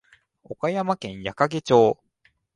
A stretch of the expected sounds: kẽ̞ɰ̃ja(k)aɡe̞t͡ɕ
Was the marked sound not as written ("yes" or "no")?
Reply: no